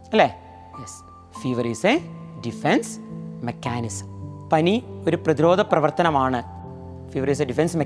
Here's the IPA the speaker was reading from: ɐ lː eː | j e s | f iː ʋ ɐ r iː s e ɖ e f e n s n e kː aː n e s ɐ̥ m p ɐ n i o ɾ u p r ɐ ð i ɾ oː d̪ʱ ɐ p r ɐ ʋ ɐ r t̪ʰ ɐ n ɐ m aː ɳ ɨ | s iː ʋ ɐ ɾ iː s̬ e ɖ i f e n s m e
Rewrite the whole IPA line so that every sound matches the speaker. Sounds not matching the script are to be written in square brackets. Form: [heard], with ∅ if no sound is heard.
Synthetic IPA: ɐ lː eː | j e s | f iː ʋ ɐ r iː s e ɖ [i] f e n s [m] e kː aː n [i] s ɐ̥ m p ɐ n i o ɾ u p r ɐ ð i ɾ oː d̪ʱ ɐ p r ɐ ʋ ɐ r [t̪] ɐ n ɐ m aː ɳ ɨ | [f] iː ʋ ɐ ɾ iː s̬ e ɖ i f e n s m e